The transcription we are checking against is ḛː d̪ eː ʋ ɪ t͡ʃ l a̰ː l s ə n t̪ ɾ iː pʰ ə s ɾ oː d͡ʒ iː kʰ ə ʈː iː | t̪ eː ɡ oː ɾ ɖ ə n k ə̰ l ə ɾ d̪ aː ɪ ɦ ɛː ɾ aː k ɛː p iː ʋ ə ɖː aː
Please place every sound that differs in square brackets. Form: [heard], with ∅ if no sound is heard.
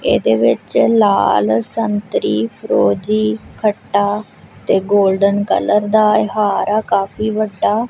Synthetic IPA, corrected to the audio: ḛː d̪ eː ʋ ɪ t͡ʃ l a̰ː l s ə n t̪ ɾ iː pʰ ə [∅] ɾ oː d͡ʒ iː kʰ ə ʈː [aː] | t̪ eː ɡ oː [l] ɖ ə n k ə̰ l ə ɾ d̪ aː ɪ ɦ [aː] ɾ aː k [aː] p iː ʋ ə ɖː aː